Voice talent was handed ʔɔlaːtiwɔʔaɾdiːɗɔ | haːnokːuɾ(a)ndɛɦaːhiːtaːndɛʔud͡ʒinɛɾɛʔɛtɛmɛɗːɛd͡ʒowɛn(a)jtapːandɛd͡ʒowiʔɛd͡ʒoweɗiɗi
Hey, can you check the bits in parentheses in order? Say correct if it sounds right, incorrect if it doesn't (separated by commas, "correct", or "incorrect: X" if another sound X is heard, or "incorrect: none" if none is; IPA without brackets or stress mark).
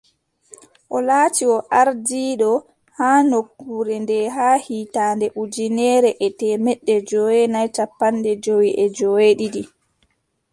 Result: incorrect: ɛ, correct